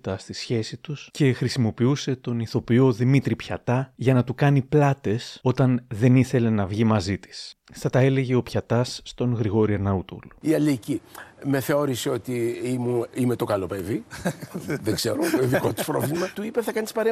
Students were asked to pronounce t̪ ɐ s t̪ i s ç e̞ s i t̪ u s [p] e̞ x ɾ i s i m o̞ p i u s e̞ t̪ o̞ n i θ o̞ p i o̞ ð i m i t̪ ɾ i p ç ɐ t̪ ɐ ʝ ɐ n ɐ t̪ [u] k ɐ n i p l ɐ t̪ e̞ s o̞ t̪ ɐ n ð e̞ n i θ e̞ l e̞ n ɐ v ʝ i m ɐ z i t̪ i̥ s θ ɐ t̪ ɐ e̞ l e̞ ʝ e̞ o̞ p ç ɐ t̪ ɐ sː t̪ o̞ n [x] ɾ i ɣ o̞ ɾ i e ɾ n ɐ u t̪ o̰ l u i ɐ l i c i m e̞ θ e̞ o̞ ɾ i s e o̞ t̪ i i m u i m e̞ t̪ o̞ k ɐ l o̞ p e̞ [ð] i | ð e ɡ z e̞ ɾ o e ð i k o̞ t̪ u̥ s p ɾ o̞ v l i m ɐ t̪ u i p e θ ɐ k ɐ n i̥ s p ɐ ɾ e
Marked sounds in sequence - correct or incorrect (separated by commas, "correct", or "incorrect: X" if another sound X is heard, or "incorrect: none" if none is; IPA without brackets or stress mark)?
incorrect: c, correct, incorrect: ɣ, incorrect: v